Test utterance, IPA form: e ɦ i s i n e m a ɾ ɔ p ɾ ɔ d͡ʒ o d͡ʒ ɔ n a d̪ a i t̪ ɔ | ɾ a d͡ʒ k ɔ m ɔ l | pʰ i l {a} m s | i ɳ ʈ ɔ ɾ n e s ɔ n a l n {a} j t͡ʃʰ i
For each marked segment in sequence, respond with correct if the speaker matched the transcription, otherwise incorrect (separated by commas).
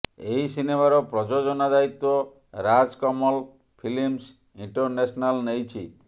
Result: incorrect, incorrect